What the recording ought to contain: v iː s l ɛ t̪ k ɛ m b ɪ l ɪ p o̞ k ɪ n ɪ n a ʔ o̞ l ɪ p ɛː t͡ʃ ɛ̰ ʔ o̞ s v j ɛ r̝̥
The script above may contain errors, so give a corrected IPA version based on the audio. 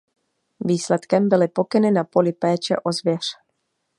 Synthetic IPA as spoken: v iː s l ɛ t̪ k ɛ m b ɪ l ɪ p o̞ k ɪ n ɪ n a p o̞ l ɪ p ɛː t͡ʃ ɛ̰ ʔ o̞ z v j ɛ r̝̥